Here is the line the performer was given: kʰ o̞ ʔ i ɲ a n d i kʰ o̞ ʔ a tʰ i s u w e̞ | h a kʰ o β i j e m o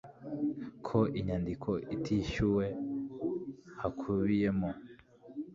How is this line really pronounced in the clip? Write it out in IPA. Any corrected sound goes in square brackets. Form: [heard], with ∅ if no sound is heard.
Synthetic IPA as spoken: kʰ o̞ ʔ i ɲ a n d i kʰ o̞ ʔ [i] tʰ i [ʃ] u w e̞ | h a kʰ [u] β i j e m o